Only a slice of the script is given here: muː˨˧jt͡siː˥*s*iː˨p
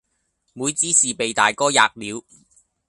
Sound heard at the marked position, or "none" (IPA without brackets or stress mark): s